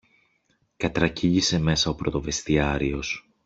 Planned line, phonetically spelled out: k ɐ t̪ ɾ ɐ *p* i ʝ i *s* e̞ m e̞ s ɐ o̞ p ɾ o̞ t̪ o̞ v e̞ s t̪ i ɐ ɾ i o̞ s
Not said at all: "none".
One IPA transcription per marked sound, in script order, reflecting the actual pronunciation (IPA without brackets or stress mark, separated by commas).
c, s